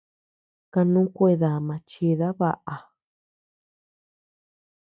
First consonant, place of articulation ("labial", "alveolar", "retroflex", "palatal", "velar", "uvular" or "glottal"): velar